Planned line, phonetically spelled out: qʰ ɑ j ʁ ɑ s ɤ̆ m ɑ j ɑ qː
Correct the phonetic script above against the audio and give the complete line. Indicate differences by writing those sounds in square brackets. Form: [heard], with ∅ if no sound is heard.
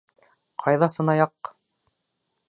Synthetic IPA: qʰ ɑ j [ð] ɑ s ɤ̆ [n] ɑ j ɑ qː